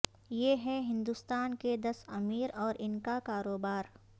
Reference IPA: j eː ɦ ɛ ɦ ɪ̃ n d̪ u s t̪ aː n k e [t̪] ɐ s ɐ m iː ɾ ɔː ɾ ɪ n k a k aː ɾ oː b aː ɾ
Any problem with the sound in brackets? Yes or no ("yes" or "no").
yes